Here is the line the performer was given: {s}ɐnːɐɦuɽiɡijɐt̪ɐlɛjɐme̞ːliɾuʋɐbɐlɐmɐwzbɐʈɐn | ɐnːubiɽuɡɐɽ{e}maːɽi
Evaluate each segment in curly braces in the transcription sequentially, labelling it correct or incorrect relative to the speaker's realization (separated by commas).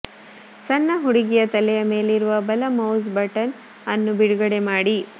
correct, correct